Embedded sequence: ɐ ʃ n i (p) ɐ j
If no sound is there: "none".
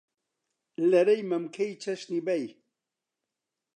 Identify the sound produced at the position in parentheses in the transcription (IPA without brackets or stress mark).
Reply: b